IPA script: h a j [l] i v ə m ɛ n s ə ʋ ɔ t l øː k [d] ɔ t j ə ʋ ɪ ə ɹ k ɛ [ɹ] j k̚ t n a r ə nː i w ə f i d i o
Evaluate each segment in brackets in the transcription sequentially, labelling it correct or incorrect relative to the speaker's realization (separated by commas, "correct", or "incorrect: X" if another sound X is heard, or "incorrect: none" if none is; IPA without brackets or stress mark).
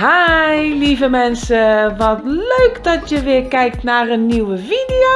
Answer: correct, correct, incorrect: none